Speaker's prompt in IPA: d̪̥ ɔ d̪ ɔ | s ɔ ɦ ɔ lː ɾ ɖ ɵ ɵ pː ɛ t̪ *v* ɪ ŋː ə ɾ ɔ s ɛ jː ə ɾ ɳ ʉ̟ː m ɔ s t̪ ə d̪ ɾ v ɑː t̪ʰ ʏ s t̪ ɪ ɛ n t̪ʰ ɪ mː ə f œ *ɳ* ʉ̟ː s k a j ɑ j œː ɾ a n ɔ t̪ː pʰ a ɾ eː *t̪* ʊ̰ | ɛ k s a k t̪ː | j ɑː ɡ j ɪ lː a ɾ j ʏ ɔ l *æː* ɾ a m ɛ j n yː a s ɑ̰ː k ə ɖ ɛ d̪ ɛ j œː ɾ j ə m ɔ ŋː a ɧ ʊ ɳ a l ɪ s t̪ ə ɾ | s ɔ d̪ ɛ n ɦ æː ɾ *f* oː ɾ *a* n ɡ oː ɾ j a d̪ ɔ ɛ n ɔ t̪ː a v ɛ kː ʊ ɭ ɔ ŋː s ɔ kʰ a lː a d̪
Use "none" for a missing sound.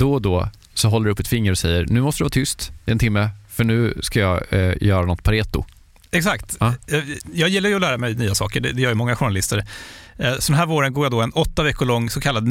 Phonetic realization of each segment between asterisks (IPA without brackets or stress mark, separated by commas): f, ɳ, t̪, æː, v, ə